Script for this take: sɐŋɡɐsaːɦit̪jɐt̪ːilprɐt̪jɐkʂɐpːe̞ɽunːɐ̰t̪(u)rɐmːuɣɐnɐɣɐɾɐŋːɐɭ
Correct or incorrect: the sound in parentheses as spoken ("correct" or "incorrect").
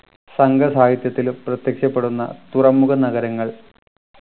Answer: correct